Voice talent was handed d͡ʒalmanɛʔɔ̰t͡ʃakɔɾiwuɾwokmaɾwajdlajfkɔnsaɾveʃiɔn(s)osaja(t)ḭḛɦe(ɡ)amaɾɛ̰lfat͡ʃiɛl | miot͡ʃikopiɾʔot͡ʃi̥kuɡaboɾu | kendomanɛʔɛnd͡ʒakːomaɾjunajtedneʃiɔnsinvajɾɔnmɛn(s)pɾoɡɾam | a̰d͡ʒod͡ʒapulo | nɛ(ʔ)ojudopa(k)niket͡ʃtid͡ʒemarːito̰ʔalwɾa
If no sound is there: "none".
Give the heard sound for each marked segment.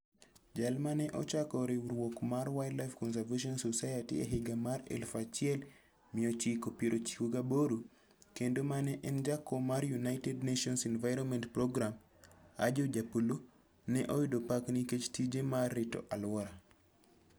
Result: s, t, ɡ, t, ʔ, k

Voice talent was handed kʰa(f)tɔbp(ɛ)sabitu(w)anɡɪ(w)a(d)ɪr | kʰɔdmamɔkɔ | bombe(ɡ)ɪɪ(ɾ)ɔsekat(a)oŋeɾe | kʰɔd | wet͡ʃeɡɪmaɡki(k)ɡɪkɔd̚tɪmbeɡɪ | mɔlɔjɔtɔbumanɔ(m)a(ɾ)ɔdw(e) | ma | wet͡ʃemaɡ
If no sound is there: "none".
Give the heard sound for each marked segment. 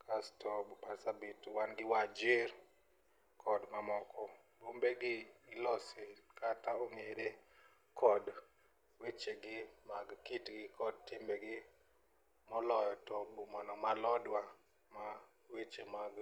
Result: s, a, w, w, d͡ʒ, ɡ, l, a, t, m, l, a

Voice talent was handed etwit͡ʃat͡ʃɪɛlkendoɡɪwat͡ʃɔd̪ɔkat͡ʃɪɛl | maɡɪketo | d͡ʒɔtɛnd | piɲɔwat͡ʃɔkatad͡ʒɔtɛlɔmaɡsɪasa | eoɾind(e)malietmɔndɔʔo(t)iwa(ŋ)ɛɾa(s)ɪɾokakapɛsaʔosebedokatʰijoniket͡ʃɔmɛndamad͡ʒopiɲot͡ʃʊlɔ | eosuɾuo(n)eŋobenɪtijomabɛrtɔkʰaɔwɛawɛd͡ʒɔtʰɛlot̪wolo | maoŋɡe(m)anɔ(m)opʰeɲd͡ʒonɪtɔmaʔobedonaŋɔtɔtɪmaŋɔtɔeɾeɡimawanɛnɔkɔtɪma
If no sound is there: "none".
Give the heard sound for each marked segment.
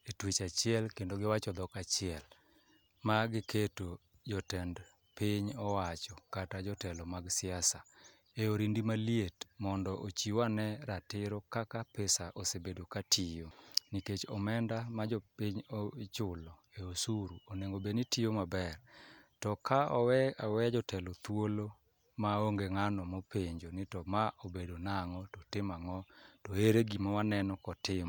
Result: i, t͡ʃ, n, t, n, ŋ, m

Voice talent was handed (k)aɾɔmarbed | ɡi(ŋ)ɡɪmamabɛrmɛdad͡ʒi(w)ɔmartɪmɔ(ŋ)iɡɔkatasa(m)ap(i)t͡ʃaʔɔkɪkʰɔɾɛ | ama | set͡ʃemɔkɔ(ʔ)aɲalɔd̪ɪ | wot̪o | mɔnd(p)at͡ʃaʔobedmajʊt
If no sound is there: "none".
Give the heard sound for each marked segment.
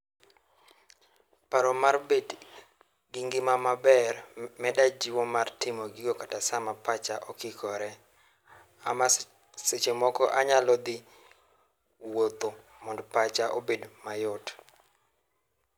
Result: p, ŋ, w, ɡ, m, a, ʔ, p

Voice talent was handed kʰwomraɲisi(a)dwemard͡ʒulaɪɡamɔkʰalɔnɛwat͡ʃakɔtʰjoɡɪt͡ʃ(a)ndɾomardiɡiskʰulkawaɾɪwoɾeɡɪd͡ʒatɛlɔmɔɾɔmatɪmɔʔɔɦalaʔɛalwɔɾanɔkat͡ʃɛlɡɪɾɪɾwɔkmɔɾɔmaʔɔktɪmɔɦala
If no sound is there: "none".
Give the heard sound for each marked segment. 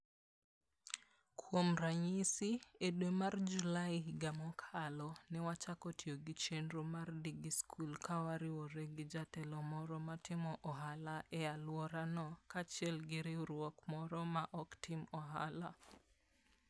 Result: e, e

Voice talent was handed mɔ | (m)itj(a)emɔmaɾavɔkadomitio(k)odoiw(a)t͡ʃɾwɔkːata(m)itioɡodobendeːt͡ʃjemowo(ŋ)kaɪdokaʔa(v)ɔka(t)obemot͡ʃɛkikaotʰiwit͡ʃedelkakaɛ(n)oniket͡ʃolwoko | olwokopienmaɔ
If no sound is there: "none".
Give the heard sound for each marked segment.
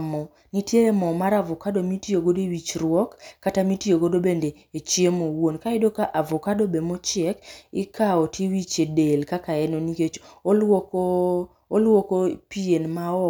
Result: n, e, ɡ, i, m, n, v, d, n

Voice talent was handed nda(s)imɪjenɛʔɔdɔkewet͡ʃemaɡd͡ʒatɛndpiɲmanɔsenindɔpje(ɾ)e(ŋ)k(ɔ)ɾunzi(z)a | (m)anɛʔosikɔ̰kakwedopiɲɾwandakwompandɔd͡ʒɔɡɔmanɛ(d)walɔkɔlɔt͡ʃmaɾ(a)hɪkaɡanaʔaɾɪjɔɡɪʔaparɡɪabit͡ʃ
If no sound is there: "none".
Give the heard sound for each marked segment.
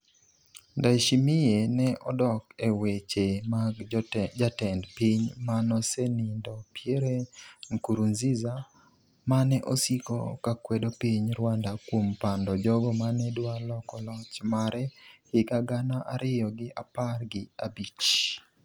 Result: ʃ, ɾ, ŋ, u, z, m, d, ɛ

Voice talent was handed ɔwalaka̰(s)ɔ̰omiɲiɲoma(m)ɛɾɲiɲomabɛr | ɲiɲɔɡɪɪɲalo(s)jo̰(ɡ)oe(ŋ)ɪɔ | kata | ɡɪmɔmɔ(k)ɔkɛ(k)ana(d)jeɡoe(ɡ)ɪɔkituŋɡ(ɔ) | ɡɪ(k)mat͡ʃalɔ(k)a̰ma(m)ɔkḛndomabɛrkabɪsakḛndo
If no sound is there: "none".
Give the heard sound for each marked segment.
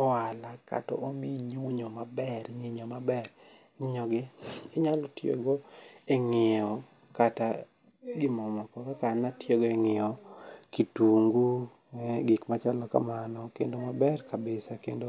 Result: t, b, t, ɡ, ŋ, k, k, t, ŋ, u, k, k, n

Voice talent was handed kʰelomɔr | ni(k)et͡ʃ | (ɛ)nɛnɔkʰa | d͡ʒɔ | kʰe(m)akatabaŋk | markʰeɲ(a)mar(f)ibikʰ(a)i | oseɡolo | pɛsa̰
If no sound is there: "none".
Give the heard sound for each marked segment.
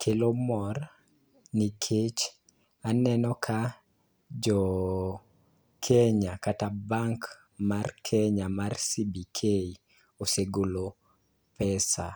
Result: kʰ, a, ɲ, a, s, e

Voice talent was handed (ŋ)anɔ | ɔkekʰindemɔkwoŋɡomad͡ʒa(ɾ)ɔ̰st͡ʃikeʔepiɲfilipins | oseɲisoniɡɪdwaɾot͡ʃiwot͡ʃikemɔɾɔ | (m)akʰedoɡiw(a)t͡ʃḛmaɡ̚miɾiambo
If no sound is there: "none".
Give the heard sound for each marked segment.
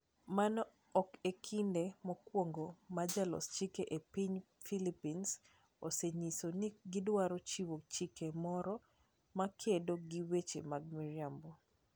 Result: m, l, m, e

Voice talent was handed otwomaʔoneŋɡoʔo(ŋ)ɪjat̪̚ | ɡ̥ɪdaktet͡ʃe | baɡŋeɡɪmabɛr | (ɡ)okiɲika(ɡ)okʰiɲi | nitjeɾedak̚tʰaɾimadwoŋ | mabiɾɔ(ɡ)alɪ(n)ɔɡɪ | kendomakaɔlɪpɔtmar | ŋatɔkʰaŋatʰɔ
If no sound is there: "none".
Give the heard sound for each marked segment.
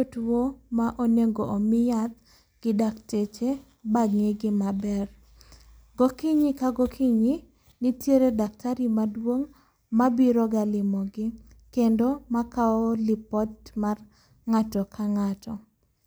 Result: m, ɡ, ɡ, ɡ, m

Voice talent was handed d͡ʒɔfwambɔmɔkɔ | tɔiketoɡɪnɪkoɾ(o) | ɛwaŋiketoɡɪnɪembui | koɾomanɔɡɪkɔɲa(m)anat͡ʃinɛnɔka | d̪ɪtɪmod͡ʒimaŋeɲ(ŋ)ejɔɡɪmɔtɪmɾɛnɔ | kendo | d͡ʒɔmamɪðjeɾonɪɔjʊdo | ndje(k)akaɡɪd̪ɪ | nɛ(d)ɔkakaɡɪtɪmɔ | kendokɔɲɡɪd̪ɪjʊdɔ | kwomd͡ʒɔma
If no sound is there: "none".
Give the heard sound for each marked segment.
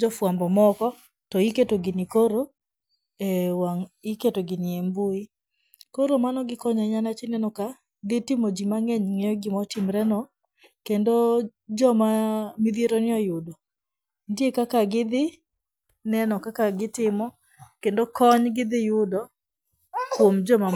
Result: o, ɲ, ŋ, k, n

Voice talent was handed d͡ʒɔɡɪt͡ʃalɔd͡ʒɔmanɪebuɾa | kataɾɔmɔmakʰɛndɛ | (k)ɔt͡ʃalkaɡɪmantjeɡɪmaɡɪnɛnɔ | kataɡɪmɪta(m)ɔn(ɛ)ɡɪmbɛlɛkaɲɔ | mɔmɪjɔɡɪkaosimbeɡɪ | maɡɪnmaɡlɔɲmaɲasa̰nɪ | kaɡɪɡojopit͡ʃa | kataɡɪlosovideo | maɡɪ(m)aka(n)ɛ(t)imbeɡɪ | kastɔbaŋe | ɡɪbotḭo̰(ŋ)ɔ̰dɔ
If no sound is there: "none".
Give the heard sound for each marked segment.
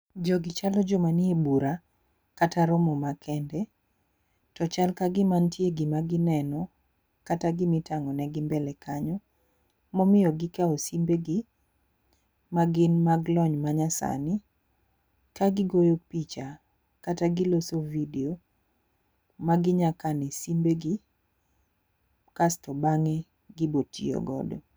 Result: t, ŋ, ɛ, ɲ, n, s, ɡ

